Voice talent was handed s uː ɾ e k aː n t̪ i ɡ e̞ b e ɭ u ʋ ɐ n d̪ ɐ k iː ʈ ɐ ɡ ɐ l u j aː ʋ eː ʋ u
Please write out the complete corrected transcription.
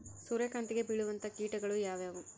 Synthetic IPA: s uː ɾ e k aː n t̪ i ɡ e̞ b i ɭ u ʋ ɐ n t̪ ɐ k iː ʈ ɐ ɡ ɐ ɭ u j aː ʋ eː ʋ u

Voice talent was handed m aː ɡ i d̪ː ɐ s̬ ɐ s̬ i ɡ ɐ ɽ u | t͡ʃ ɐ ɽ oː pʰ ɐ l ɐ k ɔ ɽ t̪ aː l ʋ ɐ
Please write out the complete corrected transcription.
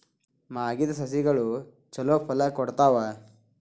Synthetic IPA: m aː ɡ i d̪ ɐ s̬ ɐ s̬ i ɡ ɐ ɭ u | t͡ʃ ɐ l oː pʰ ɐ l ɐ k ɔ ɽ t̪ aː ʋ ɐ

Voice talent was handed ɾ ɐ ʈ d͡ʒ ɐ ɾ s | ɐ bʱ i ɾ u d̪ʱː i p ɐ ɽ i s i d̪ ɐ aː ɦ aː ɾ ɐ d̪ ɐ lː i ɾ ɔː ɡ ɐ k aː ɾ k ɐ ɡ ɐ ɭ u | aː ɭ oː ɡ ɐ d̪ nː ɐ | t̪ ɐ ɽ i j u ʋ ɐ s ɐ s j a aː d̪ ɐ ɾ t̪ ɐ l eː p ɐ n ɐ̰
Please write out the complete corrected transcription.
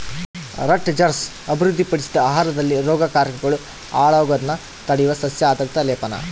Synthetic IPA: ɾ ɐ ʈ d͡ʒ ɐ ɾ s | ɐ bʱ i ɾ u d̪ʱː i p ɐ ɽ i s i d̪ ɐ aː ɦ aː ɾ ɐ d̪ ɐ lː i ɾ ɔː ɡ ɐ k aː ɾ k ɐ ɡ ɐ ɭ u | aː ɭ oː ɡ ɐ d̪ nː ɐ | t̪ ɐ ɽ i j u ʋ ɐ s ɐ s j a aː d̪ ɐ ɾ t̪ ɐ l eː p ɐ n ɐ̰

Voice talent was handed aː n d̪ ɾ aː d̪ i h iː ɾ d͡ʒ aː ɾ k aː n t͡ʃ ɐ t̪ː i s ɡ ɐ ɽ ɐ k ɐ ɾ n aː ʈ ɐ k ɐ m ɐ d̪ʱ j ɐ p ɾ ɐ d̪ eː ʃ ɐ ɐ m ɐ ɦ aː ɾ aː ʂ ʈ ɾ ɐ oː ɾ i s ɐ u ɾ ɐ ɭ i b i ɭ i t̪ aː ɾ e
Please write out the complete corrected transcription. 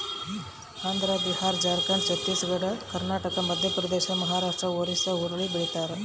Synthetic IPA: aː n d̪ ɾ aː d̪ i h aː ɾ d͡ʒ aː ɾ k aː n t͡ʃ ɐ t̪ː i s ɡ ɐ ɽ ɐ k ɐ ɾ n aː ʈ ɐ k ɐ m ɐ d̪ʱ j ɐ p ɾ ɐ d̪ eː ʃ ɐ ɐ m ɐ ɦ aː ɾ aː ʂ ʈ ɾ ɐ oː ɾ i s ɐ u ɾ ɐ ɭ i b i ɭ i t̪ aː ɾ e

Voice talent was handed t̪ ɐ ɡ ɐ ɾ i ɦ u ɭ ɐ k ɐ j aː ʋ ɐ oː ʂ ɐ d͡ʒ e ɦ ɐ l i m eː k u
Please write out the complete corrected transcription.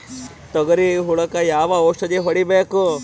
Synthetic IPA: t̪ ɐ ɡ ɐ ɾ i ɦ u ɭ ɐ k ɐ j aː ʋ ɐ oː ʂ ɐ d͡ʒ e ɦ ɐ ɽ i b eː k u

